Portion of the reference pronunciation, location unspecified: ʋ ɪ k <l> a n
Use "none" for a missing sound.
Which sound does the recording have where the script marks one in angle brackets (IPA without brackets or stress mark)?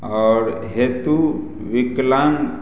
l